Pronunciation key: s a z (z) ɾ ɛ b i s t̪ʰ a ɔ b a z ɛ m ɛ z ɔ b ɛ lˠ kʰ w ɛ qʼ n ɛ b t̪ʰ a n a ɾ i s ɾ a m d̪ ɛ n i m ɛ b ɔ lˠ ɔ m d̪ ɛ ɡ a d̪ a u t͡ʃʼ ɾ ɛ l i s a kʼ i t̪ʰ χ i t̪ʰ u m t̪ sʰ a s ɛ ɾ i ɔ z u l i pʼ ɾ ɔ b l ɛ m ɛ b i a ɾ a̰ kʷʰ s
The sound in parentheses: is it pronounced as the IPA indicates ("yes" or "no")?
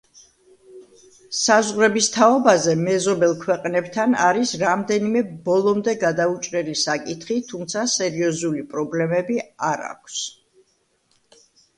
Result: no